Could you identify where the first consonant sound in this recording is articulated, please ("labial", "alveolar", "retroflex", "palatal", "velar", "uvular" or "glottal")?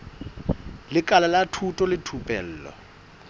alveolar